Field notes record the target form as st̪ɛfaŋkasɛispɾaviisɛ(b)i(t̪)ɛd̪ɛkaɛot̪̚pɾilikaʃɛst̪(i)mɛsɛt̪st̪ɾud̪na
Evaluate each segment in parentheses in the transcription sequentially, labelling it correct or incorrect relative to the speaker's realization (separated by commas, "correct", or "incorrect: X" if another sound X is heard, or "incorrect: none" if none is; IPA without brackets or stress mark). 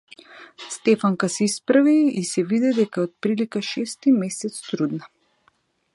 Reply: incorrect: v, incorrect: d̪, correct